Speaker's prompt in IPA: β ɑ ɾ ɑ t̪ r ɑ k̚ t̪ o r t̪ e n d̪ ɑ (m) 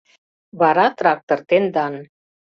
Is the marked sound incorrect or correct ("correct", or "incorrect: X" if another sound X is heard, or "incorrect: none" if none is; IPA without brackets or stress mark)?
incorrect: n